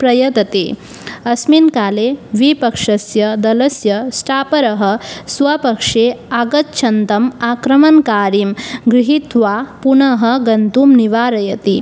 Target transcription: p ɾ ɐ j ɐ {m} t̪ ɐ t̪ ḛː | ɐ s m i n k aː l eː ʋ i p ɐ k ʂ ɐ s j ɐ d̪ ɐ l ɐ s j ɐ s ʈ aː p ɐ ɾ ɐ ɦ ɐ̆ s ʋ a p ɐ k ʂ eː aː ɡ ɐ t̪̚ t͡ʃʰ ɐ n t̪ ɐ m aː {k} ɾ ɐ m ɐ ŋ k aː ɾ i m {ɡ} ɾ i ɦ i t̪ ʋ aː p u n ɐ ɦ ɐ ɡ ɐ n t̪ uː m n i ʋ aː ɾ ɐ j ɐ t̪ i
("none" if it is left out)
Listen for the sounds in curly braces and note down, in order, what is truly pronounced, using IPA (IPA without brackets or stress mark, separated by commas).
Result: none, k, ɡ